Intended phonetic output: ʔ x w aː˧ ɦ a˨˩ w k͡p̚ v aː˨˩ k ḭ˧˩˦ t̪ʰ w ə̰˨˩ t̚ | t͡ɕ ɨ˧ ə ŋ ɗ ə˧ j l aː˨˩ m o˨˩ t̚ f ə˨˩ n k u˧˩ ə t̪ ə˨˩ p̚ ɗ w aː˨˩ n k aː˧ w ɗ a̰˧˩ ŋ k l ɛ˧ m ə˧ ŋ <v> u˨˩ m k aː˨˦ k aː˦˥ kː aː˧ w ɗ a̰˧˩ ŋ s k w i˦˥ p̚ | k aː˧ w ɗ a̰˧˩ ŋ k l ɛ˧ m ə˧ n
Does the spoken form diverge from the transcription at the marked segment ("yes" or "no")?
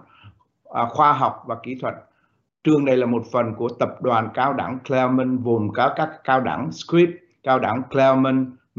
no